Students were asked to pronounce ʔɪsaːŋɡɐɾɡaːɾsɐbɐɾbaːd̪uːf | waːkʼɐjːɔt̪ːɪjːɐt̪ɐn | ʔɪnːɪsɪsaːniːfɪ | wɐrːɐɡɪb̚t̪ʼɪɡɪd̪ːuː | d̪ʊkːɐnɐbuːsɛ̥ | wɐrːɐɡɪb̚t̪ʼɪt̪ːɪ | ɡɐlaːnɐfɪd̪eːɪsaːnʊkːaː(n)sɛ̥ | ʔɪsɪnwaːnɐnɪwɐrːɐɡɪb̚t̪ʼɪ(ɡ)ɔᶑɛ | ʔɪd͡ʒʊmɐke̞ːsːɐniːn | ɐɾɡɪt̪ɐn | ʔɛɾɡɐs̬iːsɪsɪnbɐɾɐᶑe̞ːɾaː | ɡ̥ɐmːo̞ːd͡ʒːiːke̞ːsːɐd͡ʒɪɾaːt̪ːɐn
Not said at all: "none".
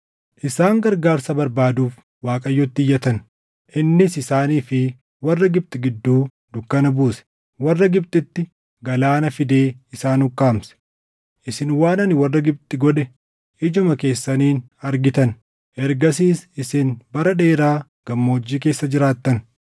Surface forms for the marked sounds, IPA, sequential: m, ɡ

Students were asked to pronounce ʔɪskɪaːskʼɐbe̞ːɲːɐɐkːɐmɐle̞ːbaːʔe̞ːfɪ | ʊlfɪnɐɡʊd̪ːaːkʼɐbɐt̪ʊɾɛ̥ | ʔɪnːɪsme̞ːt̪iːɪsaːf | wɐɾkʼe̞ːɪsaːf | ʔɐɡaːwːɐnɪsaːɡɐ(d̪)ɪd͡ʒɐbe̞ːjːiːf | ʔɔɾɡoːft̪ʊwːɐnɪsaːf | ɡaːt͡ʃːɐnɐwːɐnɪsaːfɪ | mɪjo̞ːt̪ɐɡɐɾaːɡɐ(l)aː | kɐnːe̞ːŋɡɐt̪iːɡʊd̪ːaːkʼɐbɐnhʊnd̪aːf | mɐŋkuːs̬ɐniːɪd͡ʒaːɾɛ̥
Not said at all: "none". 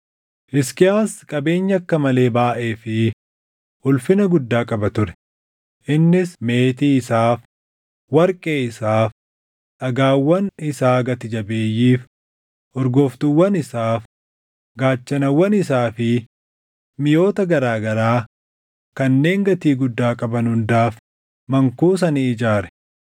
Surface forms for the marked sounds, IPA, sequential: t̪, ɾ

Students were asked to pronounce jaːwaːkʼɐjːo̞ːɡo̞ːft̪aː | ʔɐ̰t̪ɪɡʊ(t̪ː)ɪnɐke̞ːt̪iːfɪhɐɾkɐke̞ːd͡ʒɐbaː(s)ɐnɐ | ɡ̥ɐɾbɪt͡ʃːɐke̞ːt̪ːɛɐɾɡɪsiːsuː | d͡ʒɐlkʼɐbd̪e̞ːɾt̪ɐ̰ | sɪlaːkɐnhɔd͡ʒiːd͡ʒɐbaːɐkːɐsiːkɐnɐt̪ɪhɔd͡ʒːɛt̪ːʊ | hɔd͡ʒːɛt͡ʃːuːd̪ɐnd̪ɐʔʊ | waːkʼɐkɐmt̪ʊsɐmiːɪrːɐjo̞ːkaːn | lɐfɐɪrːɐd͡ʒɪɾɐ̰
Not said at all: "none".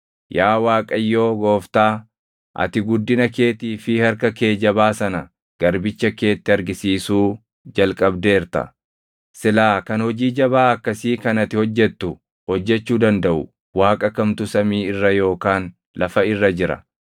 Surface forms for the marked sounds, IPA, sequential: d̪ː, s

